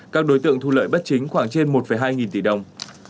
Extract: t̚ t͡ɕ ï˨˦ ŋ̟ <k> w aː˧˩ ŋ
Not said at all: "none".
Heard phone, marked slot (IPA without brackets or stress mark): x